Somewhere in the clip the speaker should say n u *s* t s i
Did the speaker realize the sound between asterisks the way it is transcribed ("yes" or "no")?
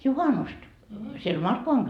yes